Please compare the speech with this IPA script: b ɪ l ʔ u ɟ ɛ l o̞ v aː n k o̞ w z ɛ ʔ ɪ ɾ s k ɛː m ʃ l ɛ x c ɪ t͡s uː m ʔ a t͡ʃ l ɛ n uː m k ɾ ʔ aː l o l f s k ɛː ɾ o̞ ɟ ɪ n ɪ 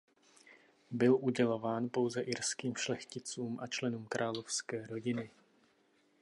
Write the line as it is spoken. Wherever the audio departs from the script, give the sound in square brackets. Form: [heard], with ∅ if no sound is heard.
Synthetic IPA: b ɪ l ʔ u ɟ ɛ l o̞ v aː n [p] o̞ w z ɛ ʔ ɪ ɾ s k [iː] m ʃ l ɛ x c ɪ t͡s uː m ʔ a t͡ʃ l ɛ n uː m k ɾ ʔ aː l o [∅] f s k ɛː ɾ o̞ ɟ ɪ n ɪ